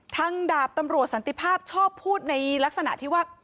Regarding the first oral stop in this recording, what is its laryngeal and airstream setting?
aspirated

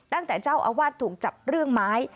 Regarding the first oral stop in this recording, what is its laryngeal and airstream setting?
plain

